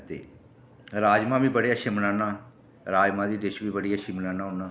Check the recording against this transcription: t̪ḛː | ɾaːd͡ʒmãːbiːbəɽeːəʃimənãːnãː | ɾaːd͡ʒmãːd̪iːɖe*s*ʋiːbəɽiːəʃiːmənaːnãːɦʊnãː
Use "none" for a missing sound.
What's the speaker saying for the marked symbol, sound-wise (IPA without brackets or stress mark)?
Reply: ʃ